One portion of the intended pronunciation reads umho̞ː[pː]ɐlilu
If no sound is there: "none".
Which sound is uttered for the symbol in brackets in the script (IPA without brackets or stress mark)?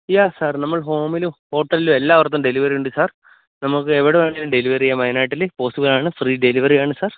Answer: ʈː